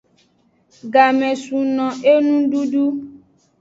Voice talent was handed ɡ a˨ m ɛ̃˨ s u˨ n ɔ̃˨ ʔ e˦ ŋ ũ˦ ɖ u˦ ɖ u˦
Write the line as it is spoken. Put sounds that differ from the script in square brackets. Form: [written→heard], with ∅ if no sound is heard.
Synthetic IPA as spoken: ɡ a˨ m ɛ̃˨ s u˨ n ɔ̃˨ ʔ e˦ [ŋ→n] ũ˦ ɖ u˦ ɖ u˦

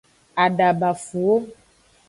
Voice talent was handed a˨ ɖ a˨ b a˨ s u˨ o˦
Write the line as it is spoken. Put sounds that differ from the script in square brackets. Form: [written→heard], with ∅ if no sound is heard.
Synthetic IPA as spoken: a˨ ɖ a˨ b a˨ [s→f] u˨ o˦

